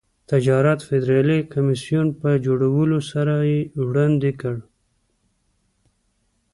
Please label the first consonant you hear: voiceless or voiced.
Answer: voiceless